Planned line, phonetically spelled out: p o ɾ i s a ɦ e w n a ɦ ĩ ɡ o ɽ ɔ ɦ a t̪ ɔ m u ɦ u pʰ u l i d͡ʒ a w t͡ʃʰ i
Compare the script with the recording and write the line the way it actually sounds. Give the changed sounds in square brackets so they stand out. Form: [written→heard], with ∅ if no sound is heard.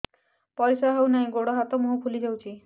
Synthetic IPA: p [o→ɔ] ɾ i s a ɦ e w n a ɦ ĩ ɡ o ɽ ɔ ɦ a t̪ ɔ m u ɦ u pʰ u l i d͡ʒ a w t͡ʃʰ i